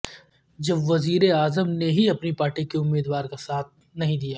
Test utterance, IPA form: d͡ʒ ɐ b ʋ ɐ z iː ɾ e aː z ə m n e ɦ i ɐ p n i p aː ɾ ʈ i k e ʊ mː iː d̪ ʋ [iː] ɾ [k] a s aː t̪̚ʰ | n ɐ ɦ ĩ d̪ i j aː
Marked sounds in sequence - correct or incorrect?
incorrect, correct

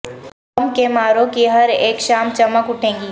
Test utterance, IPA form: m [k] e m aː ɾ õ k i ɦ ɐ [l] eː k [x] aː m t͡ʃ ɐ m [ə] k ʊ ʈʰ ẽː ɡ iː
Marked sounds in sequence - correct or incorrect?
correct, incorrect, incorrect, correct

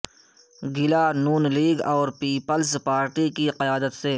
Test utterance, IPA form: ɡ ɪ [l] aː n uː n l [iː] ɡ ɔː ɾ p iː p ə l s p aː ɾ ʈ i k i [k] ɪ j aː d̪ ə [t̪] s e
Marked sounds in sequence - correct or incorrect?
correct, correct, incorrect, correct

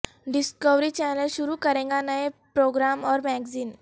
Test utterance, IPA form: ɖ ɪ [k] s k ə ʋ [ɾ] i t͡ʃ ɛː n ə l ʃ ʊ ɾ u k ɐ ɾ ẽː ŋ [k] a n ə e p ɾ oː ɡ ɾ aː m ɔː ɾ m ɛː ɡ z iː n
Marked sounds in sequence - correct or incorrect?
incorrect, correct, incorrect

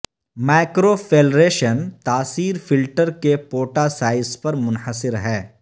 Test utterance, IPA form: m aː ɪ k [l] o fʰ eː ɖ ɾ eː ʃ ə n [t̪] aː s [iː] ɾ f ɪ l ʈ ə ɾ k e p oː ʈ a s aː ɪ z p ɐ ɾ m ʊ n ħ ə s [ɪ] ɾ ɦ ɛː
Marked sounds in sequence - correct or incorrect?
incorrect, correct, correct, correct

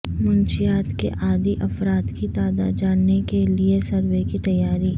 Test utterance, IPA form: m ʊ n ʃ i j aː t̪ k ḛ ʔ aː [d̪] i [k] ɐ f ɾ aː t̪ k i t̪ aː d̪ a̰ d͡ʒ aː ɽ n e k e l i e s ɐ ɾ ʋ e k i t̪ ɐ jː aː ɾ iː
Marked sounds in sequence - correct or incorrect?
correct, incorrect

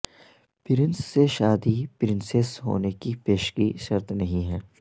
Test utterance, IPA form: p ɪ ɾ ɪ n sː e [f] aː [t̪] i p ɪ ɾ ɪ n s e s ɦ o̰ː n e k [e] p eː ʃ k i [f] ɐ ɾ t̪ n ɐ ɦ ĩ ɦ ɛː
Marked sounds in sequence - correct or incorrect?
incorrect, incorrect, incorrect, incorrect

